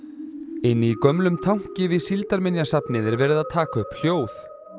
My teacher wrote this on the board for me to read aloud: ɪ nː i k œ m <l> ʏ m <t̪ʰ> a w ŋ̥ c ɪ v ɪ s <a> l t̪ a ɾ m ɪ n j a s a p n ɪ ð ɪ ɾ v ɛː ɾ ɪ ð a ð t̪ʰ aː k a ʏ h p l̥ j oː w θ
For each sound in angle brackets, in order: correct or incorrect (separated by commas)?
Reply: correct, correct, incorrect